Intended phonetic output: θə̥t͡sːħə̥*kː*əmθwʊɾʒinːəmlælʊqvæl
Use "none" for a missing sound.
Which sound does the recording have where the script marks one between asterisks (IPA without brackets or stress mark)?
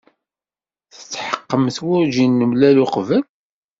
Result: qː